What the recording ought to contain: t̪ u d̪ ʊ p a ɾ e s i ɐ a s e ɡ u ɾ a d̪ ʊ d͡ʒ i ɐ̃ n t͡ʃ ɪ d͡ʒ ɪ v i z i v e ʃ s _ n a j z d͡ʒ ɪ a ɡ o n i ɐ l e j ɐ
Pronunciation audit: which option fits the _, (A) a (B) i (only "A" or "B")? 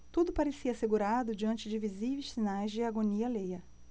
B